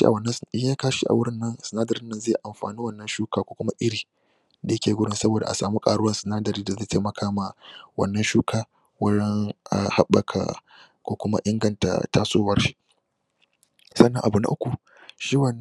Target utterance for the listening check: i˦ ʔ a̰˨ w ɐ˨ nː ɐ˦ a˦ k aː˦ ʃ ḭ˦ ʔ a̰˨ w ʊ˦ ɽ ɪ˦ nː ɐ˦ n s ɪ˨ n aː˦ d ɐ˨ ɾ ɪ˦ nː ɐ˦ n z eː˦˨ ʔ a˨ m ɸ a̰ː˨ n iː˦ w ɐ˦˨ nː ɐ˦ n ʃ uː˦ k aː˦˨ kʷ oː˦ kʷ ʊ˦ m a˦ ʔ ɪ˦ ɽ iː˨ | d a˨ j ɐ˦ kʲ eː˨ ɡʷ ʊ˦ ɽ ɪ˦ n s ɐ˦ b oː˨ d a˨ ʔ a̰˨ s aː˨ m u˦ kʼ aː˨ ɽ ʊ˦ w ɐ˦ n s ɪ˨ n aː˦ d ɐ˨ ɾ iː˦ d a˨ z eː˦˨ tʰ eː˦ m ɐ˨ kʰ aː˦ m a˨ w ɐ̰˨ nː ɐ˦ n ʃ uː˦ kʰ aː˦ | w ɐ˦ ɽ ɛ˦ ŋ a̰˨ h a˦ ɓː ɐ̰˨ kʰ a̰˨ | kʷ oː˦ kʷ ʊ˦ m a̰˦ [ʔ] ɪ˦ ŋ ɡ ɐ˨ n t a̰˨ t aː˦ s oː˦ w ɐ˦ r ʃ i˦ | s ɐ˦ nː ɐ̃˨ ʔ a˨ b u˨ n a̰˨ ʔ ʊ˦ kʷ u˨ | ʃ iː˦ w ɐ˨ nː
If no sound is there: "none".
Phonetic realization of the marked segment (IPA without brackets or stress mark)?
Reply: ʔ